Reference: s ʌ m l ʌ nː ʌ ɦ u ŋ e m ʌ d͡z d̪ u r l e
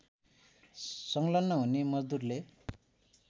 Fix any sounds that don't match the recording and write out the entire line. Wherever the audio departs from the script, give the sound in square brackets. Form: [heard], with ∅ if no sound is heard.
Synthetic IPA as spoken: s ʌ [ŋ] l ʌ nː ʌ ɦ u [n] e m ʌ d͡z d̪ u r l e